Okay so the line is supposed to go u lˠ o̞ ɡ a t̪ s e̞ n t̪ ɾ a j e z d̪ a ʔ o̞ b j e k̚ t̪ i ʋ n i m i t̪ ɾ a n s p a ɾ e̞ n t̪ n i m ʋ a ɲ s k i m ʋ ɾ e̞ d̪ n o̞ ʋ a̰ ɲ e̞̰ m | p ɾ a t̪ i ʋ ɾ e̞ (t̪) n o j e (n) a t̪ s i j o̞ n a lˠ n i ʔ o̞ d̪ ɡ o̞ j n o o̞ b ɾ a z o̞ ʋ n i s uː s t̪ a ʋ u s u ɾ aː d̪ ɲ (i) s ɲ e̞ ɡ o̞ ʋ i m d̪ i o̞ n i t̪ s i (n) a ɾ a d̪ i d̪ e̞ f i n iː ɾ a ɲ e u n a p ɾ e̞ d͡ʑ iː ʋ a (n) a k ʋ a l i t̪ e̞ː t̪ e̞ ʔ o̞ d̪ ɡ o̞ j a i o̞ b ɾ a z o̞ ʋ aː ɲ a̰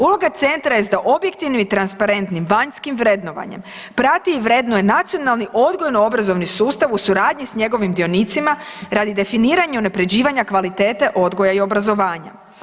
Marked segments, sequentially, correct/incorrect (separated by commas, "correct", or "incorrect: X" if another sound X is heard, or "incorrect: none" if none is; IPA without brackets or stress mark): incorrect: d̪, correct, correct, incorrect: m, incorrect: ɲ